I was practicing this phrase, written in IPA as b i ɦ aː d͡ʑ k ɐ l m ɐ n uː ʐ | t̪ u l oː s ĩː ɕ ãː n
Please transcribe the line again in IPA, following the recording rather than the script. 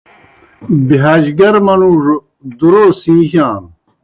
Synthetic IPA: b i ɦ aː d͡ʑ ɡ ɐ ɾ m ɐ n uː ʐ | d̪ u ɾ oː s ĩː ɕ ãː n